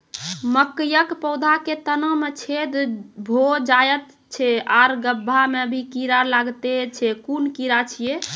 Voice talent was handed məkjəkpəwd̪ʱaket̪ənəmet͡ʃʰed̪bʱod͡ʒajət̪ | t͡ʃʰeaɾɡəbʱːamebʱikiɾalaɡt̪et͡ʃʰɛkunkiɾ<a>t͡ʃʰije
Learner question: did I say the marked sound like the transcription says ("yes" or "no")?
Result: yes